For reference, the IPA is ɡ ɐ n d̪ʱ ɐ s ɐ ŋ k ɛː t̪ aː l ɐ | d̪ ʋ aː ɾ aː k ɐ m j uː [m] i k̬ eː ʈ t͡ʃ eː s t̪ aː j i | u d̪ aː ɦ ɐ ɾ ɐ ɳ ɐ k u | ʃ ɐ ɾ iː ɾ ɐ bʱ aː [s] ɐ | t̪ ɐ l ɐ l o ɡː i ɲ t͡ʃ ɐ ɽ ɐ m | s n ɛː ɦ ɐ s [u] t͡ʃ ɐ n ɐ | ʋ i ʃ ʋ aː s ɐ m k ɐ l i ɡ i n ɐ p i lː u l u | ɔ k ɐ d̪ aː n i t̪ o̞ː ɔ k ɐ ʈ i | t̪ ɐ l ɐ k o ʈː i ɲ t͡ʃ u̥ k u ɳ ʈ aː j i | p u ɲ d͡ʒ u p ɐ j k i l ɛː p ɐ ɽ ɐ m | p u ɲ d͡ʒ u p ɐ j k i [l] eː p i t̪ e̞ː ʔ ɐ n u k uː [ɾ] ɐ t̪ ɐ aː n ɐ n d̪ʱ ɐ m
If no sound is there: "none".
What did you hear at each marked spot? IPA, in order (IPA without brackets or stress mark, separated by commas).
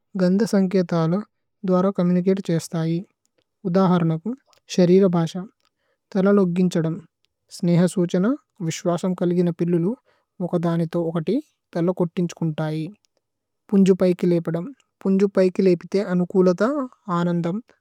n, ʂ, uː, l, l